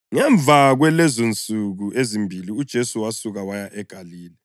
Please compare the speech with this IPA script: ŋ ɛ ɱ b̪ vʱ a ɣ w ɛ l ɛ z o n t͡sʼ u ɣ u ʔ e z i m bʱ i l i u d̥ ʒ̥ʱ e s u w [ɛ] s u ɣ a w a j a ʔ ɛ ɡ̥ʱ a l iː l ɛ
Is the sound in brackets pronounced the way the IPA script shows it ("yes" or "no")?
no